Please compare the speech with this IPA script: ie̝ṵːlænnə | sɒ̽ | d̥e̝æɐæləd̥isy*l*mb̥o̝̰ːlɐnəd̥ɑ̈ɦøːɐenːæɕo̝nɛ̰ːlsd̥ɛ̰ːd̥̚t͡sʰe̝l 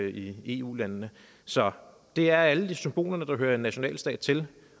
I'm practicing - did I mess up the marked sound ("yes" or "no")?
yes